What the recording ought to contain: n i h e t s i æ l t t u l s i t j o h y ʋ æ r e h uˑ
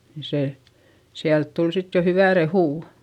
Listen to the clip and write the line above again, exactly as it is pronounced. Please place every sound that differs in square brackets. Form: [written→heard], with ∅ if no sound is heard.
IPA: n i [h→s] e [t→∅] s i æ l t t u l s i t j o h y ʋ æ r e h uˑ